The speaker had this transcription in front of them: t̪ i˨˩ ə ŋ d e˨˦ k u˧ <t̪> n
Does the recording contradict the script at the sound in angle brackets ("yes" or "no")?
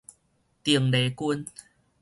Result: yes